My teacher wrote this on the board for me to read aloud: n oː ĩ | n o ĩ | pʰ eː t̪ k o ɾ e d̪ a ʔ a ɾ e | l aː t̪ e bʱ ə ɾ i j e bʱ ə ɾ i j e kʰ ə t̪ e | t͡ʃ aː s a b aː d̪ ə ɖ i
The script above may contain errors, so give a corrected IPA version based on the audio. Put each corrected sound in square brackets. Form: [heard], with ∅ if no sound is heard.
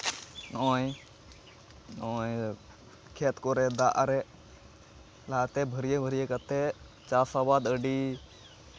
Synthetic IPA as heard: n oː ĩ | n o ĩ | [kʰ] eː t̪ k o ɾ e d̪ a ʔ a ɾ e | l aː t̪ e bʱ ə ɾ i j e bʱ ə ɾ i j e [k] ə t̪ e | t͡ʃ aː s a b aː d̪ ə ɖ i

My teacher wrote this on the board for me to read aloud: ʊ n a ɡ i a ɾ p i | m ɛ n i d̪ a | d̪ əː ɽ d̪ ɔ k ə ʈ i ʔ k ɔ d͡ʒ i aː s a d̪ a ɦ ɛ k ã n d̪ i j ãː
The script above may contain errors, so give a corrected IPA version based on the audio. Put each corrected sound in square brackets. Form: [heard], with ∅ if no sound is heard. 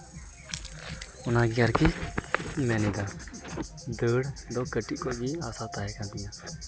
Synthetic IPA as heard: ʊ n a ɡ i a ɾ [k] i | m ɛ n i d̪ a | d̪ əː ɽ d̪ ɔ k ə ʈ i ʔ k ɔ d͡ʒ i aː s a [t̪] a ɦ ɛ k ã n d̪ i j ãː

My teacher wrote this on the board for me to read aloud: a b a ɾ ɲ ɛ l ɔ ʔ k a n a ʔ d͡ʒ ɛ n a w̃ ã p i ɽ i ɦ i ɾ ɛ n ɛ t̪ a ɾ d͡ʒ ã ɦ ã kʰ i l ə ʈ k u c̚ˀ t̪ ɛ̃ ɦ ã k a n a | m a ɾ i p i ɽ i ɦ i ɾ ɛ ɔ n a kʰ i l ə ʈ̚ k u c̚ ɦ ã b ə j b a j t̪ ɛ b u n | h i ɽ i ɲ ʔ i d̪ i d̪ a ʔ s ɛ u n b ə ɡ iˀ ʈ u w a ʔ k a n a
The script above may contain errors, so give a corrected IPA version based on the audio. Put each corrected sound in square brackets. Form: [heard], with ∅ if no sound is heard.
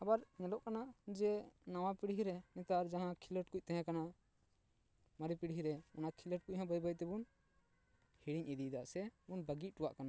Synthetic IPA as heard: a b a ɾ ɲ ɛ l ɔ ʔ k a n a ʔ d͡ʒ ɛ n a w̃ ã p i ɽ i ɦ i ɾ ɛ n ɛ t̪ a ɾ d͡ʒ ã ɦ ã kʰ i l ə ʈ k u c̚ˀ t̪ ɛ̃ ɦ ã k a n a | m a ɾ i p i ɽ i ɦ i ɾ ɛ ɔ n a kʰ i l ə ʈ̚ k u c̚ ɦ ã b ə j b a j t̪ ɛ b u n | h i ɽ i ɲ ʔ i d̪ i d̪ a ʔ s ɛ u n b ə ɡ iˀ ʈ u w a ʔ k a n a

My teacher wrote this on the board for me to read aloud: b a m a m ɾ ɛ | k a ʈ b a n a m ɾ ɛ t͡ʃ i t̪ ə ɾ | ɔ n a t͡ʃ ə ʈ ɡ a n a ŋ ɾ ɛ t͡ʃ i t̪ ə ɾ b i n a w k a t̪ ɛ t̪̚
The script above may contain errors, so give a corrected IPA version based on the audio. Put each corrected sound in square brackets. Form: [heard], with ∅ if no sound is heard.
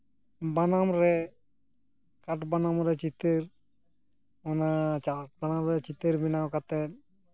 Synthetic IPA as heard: b a [n] a m ɾ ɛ | k a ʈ b a n a m ɾ ɛ t͡ʃ i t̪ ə ɾ | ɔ n a t͡ʃ [a] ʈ [b] a n a [m] ɾ ɛ t͡ʃ i t̪ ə ɾ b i n a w k a t̪ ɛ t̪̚

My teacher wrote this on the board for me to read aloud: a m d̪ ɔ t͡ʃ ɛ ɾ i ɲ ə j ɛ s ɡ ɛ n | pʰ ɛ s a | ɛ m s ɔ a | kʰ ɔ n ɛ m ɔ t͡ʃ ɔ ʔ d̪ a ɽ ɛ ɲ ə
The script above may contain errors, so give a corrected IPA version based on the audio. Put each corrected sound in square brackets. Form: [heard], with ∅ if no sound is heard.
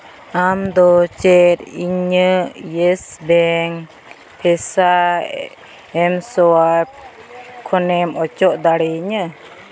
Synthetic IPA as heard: a m d̪ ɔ t͡ʃ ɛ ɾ i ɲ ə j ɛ s [b] ɛ [ŋ] | pʰ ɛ s a | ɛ m s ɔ a | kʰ ɔ n ɛ m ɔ t͡ʃ ɔ ʔ d̪ a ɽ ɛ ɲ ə

